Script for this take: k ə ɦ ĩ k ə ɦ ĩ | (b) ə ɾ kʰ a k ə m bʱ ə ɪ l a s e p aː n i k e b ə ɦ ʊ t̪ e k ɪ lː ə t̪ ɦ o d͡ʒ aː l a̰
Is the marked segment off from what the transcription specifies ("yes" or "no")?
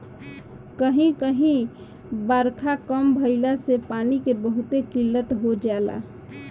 no